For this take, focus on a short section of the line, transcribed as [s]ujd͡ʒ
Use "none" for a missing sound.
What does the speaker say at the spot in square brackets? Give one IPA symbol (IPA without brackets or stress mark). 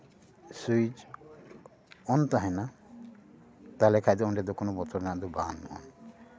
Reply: s